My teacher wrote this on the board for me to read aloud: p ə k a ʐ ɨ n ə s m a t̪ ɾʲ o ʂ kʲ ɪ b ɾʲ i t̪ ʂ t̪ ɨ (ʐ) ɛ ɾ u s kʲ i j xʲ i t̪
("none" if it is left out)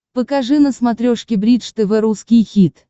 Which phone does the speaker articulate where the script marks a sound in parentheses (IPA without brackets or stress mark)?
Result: v